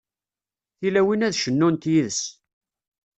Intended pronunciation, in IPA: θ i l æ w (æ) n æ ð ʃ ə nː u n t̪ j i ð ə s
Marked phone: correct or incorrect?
incorrect